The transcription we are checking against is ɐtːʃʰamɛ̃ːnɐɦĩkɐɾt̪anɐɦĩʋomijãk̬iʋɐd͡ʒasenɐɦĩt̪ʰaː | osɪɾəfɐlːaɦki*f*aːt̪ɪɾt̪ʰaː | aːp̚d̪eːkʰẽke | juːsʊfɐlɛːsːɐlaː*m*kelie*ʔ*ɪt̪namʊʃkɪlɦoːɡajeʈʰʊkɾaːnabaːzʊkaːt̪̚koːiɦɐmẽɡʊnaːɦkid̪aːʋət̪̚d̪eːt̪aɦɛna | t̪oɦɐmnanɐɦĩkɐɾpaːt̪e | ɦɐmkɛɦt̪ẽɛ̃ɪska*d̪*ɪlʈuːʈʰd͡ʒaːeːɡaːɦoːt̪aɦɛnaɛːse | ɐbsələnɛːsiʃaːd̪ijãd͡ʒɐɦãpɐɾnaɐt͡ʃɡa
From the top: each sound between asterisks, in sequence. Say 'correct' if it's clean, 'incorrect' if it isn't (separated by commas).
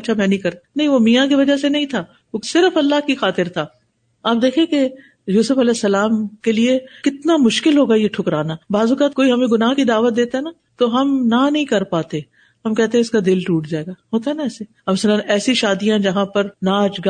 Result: incorrect, correct, incorrect, correct